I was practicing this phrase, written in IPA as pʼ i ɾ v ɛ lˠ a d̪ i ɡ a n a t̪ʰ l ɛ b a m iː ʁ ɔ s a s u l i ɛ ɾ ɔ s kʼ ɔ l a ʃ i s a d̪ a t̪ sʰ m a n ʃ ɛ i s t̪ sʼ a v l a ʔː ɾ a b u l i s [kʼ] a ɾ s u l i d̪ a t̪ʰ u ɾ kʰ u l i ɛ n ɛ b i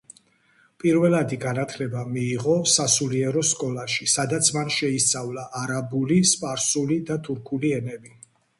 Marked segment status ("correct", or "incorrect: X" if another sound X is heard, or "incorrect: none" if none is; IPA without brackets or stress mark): incorrect: pʼ